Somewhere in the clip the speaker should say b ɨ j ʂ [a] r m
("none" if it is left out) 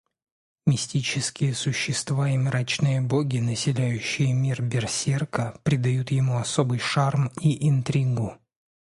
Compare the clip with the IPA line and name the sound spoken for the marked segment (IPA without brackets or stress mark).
a